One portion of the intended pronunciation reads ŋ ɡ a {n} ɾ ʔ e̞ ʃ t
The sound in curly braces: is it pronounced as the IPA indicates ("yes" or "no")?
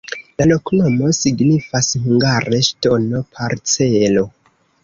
no